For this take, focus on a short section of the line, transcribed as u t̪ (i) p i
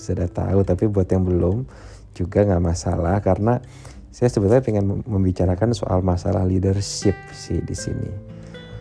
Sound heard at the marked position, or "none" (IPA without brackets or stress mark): a